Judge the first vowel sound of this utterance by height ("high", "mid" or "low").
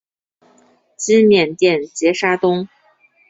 high